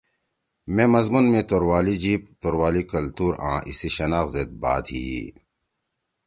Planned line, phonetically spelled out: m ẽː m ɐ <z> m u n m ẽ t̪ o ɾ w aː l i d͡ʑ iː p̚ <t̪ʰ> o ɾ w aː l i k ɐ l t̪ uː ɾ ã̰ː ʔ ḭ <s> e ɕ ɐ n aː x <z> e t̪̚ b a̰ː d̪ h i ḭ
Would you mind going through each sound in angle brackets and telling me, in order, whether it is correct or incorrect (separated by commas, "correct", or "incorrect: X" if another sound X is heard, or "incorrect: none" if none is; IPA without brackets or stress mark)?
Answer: correct, incorrect: t̪, correct, correct